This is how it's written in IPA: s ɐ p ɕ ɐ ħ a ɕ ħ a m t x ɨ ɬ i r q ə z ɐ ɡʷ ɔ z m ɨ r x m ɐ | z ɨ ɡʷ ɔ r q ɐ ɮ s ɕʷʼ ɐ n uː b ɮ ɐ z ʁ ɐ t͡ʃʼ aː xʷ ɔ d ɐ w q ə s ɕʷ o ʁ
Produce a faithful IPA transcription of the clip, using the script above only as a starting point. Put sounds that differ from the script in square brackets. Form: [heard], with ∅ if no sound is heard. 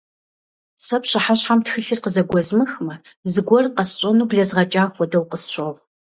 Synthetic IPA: s ɐ p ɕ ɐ ħ a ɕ ħ a m t x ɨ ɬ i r q ə z ɐ ɡʷ ɔ z m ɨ [∅] x m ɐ | z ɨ ɡʷ ɔ r q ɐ [∅] s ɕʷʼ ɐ n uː b ɮ ɐ z ʁ ɐ t͡ʃʼ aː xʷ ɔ d ɐ w q ə s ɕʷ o ʁ

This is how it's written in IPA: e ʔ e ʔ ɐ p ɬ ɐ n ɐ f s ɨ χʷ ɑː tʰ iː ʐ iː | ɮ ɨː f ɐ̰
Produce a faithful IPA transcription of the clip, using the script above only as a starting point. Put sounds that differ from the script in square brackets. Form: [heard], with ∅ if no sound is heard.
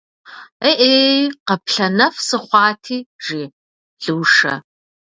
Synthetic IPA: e ʔ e [q] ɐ p ɬ ɐ n ɐ f s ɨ χʷ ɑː tʰ iː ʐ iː | ɮ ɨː [ʂ] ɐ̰

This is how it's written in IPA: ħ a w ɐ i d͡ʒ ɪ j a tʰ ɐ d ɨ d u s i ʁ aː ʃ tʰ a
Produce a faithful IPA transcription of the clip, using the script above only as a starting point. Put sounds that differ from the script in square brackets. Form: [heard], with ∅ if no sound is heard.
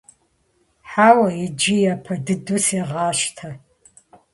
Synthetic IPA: ħ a w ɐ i d͡ʒ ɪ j a [pʰ] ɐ d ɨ d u s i ʁ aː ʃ tʰ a

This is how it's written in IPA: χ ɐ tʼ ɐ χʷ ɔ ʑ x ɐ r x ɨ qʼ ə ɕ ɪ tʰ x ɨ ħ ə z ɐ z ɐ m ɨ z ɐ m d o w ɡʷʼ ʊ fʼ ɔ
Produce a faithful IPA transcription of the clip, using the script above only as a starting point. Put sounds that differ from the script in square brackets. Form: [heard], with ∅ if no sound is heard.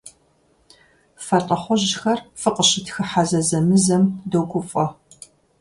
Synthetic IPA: [f] ɐ tʼ ɐ χʷ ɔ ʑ x ɐ r [f] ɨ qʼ ə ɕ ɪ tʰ x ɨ ħ [a] z ɐ z ɐ m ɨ z ɐ m d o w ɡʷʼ ʊ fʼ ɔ

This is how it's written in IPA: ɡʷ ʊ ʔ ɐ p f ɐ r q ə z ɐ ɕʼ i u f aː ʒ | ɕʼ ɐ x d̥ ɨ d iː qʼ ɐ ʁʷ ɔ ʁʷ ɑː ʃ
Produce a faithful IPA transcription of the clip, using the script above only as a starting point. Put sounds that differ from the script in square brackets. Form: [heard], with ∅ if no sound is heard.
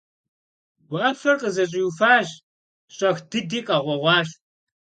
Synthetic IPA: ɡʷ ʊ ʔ ɐ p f ɐ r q ə z ɐ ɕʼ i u f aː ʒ | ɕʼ ɐ x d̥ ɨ d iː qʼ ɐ ʁʷ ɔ ʁʷ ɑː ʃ

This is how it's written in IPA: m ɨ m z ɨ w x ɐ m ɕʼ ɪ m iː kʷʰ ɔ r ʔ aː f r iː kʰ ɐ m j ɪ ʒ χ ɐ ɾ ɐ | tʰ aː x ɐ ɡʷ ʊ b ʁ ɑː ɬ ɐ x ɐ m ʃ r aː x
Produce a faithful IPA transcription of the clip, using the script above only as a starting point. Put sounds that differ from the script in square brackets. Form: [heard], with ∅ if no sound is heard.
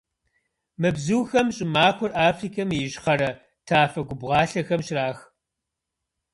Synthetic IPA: m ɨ [b] z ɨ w x ɐ m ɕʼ ɪ m [aː] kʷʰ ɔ r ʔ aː f r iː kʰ ɐ m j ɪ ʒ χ ɐ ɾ ɐ | tʰ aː [f] ɐ ɡʷ ʊ b ʁ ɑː ɬ ɐ x ɐ m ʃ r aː x

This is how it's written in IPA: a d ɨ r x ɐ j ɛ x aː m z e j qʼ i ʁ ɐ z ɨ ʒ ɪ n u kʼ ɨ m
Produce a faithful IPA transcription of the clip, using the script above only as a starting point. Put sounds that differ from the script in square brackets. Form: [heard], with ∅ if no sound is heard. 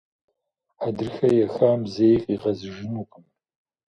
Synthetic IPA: a d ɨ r x ɐ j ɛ x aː m z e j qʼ i ʁ ɐ z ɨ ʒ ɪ n u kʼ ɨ m

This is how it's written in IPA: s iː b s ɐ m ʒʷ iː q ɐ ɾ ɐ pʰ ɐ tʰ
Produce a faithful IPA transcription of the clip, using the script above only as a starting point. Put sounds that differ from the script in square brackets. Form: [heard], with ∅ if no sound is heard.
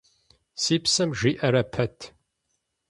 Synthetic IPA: s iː [p] s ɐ m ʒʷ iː [ʔ] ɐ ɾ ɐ pʰ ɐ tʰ

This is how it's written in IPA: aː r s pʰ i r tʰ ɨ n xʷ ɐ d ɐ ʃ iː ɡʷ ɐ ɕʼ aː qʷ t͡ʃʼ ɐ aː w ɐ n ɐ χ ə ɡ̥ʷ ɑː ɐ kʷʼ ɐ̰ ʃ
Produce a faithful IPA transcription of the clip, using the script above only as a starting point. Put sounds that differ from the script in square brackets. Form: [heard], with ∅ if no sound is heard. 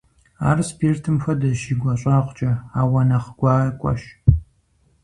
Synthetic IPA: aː r s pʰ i r tʰ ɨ [m] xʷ ɐ d ɐ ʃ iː ɡʷ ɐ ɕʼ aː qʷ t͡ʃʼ ɐ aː w ɐ n ɐ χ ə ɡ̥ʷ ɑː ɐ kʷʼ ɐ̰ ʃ

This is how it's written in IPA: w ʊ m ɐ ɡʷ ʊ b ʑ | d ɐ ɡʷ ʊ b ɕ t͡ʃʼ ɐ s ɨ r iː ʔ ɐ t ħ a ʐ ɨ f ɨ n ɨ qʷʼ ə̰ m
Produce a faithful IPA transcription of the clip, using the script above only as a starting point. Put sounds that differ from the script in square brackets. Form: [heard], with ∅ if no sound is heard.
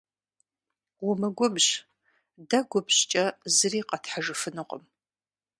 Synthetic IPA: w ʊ m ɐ ɡʷ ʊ b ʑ | d ɐ ɡʷ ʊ b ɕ t͡ʃʼ ɐ [z] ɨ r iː [q] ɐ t ħ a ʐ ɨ f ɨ n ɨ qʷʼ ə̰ m

